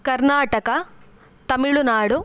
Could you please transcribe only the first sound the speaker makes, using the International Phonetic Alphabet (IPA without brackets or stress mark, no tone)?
k